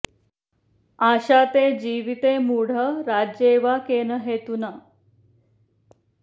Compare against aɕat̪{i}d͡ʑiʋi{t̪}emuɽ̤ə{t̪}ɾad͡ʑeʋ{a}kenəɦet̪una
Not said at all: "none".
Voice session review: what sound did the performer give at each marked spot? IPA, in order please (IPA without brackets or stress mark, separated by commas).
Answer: e, t̪, none, a